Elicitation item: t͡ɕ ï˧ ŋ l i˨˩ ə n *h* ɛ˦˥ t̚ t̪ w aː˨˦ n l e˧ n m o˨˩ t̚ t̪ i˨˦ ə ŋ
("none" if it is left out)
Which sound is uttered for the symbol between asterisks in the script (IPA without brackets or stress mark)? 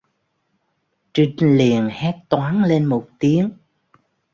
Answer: h